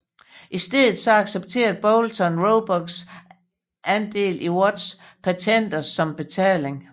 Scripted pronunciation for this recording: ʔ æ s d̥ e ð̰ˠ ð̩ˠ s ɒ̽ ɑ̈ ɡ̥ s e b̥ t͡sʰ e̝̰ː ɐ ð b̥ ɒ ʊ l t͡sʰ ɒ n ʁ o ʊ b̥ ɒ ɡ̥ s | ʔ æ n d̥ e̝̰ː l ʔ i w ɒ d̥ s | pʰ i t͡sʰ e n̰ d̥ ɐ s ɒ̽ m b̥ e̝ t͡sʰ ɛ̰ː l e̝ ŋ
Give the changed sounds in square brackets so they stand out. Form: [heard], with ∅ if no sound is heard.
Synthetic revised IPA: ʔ [i] s d̥ e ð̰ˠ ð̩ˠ s ɒ̽ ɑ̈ ɡ̥ s e b̥ t͡sʰ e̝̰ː ɐ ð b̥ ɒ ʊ l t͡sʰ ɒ n ʁ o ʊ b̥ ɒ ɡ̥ s | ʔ æ n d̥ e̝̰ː l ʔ i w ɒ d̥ s | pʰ [æ] t͡sʰ e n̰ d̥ ɐ s ɒ̽ m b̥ e̝ t͡sʰ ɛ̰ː l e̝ ŋ